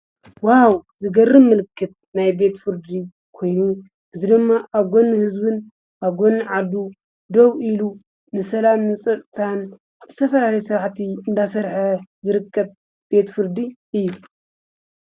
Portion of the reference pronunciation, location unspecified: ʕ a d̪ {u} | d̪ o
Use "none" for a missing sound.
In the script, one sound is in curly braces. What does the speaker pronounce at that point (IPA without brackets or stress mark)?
u